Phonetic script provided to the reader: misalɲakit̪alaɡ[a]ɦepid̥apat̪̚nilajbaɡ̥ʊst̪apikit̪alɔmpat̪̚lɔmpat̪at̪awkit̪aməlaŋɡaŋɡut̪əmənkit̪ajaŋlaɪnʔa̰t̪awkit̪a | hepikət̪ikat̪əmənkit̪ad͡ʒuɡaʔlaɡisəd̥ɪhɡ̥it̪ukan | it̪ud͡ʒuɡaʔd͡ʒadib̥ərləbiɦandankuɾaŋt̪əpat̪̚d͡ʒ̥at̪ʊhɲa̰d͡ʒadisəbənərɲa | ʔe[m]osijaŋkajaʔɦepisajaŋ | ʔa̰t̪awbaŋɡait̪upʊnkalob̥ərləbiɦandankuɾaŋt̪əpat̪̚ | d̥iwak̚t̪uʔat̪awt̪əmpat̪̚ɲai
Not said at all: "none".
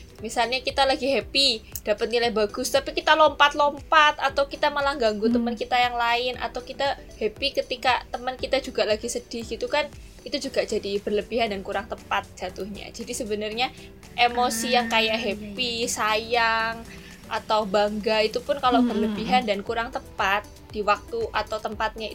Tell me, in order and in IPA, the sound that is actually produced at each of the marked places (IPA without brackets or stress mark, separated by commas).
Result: i, m